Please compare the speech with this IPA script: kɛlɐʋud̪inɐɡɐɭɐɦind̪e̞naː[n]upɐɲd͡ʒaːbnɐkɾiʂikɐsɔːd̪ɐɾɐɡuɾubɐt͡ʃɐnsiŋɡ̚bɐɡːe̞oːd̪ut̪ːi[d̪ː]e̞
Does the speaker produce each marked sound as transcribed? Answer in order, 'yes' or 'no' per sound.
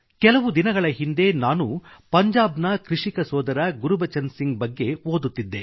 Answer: yes, yes

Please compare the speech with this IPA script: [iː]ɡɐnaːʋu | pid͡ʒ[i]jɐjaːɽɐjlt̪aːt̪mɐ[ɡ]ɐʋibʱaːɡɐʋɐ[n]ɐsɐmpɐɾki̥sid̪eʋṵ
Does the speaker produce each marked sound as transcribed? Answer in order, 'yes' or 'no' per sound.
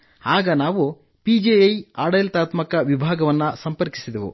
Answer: no, no, no, no

